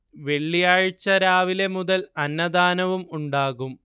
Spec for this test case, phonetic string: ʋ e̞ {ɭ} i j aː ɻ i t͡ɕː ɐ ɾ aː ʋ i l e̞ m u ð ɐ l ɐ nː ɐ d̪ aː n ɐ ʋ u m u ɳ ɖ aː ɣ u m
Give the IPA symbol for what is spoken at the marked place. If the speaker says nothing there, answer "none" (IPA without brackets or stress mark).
ɭː